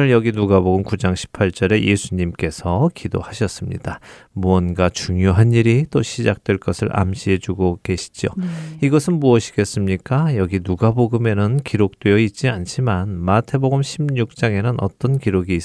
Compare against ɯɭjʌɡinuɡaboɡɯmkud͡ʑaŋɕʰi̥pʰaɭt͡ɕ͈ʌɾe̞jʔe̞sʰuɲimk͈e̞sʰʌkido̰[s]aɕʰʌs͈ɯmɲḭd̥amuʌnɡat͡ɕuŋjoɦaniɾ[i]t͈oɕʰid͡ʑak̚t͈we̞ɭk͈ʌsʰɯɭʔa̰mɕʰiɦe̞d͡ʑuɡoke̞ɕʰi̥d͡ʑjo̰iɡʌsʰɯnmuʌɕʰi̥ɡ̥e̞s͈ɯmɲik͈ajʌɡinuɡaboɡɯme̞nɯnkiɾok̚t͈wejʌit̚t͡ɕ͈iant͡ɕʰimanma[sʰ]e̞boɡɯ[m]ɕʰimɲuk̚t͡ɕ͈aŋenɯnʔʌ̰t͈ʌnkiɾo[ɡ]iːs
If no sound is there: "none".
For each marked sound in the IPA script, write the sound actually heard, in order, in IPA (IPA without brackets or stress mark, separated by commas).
h, i, tʰ, m, ɡ